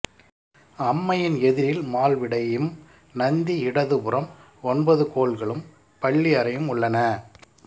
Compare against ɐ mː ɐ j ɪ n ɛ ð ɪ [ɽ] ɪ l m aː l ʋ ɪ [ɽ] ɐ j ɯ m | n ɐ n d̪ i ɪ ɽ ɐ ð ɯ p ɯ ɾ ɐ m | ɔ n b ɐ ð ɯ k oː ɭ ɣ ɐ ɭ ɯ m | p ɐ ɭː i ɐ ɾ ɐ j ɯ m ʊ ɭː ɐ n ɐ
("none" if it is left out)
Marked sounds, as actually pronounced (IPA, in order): ɾ, ɽ

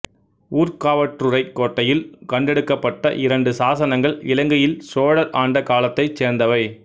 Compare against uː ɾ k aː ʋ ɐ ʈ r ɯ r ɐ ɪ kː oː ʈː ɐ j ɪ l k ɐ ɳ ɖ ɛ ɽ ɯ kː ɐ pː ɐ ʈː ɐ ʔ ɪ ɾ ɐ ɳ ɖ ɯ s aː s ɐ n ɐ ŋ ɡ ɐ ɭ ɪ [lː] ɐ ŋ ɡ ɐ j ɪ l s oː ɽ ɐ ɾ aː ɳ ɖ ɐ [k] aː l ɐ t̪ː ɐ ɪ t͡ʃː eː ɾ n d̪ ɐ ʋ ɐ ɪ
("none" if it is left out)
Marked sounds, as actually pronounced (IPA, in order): l, k

